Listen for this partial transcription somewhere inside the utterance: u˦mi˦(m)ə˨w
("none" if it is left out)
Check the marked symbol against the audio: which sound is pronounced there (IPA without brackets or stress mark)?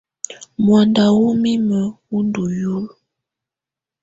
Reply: m